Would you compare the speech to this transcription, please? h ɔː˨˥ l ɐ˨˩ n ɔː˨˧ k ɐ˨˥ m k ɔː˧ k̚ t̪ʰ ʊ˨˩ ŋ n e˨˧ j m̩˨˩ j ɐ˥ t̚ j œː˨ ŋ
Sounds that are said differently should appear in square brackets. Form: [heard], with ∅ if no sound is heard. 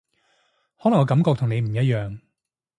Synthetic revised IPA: h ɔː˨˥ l ɐ˨˩ [ŋ] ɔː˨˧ k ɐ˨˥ m k ɔː˧ k̚ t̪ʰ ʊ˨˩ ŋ n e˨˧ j m̩˨˩ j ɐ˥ t̚ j œː˨ ŋ